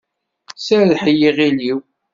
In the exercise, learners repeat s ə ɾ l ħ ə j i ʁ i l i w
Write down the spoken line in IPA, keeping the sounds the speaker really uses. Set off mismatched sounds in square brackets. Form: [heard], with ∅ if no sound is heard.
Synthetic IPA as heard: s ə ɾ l ħ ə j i ʁ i l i w